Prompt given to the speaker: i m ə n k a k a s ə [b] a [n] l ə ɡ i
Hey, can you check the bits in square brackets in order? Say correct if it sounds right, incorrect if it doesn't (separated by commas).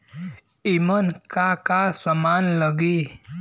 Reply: incorrect, correct